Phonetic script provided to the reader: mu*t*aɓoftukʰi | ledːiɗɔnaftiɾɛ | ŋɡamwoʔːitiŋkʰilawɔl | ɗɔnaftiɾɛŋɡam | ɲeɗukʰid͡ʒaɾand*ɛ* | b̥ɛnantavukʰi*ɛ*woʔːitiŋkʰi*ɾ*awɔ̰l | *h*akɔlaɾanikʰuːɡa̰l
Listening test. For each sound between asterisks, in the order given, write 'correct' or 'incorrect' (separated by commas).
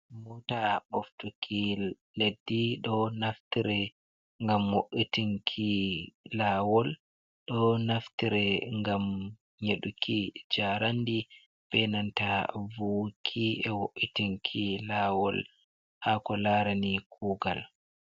correct, incorrect, correct, incorrect, correct